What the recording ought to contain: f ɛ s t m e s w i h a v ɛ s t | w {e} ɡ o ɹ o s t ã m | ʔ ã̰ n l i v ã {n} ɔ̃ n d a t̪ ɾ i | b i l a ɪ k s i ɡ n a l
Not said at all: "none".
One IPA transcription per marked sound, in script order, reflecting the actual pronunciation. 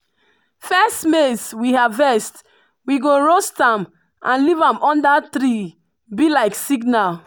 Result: i, m

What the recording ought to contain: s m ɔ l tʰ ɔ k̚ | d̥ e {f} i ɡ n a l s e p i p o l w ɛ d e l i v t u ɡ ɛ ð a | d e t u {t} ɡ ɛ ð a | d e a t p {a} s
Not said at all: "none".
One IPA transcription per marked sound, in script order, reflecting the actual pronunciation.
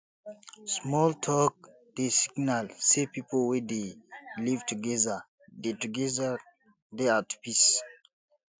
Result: s, none, i

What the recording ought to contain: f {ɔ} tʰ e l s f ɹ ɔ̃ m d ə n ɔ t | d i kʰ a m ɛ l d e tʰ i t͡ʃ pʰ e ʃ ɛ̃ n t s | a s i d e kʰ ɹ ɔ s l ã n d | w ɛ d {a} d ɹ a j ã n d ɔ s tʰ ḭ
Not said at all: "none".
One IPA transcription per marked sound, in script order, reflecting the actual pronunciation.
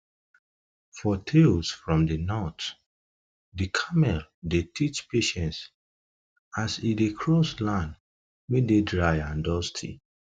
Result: ɔ, e

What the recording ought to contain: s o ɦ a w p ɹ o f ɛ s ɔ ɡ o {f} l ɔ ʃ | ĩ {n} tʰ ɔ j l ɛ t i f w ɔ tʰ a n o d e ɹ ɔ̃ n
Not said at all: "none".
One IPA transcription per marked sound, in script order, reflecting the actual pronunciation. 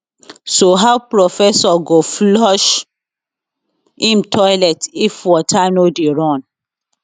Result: f, m

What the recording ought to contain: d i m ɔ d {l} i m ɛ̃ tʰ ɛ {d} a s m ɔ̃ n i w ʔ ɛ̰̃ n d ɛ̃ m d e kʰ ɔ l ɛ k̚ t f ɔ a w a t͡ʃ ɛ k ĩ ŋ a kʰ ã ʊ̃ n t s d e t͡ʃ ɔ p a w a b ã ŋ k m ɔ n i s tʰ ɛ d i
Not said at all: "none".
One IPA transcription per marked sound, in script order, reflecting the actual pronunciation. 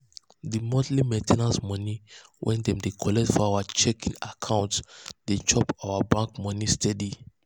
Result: l, n

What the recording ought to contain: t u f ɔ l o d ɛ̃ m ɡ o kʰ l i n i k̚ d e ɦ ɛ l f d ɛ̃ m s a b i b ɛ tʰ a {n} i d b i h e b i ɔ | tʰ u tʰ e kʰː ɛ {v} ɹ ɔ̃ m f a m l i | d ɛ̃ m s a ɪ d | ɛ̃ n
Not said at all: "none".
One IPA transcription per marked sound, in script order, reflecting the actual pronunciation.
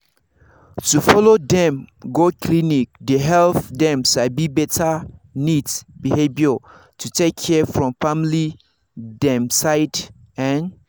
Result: n, f

